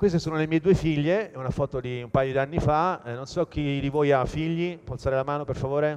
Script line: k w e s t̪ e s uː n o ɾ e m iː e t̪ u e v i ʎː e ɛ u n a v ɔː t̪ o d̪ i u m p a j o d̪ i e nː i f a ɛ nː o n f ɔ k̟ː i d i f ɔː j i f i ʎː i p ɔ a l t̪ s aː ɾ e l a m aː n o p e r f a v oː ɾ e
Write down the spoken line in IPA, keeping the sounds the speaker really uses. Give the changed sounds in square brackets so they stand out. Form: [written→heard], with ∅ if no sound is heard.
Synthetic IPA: k w e s t̪ e s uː n o [ɾ→l] e m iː e [t̪→d̪] u e [v→f] i ʎː e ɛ u n a [v→f] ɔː t̪ o d̪ i u m p a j o d̪ i [e→a] nː i f a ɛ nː o n [f→s] ɔ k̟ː i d i [f→v] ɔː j [i→a] f i ʎː i p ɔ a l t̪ s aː ɾ e l a m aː n o p e r f a v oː ɾ e